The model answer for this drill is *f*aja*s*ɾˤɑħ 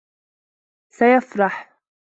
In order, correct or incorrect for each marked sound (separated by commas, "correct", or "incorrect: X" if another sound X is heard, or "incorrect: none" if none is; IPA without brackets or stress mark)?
incorrect: s, incorrect: f